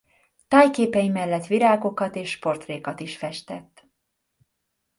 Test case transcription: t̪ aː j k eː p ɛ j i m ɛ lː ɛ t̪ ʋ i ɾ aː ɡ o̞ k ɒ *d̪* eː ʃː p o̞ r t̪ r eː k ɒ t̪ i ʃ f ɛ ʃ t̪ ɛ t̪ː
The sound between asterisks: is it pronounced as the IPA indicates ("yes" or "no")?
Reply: no